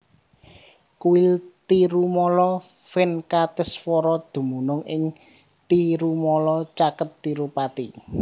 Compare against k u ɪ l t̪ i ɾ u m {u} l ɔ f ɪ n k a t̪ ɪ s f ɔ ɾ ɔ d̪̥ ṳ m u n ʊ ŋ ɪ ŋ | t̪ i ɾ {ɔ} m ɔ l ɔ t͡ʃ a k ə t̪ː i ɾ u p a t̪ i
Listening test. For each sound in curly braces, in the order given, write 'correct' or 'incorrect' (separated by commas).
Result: incorrect, incorrect